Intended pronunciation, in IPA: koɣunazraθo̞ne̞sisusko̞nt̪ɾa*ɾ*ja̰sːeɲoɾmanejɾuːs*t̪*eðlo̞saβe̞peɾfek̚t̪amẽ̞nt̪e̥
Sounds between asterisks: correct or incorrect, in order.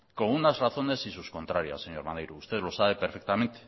correct, correct

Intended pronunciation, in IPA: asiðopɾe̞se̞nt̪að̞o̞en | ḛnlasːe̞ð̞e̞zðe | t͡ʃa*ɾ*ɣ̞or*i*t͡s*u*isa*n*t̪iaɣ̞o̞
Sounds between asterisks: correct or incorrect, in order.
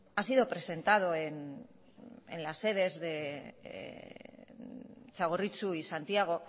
incorrect: none, correct, correct, correct

